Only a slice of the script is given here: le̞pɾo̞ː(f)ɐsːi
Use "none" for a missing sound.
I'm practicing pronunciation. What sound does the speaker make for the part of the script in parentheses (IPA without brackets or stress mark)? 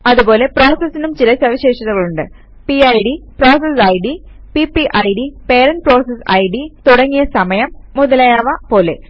s